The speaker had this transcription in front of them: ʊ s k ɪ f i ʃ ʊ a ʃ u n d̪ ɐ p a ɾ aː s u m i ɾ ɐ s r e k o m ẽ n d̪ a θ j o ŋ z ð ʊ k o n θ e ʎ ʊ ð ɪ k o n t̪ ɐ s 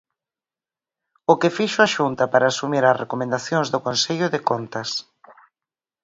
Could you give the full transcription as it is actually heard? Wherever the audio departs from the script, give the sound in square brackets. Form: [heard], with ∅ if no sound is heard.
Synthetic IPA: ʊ [∅] k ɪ f i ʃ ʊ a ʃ u n [t̪] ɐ p a ɾ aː s u m i ɾ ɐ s r e k o m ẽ n d̪ a θ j o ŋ z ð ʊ k o n [s] e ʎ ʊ ð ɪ k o n t̪ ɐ s